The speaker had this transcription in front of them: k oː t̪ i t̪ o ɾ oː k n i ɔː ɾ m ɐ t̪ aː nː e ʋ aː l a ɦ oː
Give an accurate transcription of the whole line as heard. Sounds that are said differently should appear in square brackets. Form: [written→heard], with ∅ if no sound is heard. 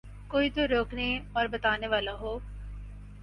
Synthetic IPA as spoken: k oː [t̪→∅] i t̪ o ɾ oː k n [i→e] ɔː ɾ [m→b] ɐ t̪ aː [nː→n] e ʋ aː l a ɦ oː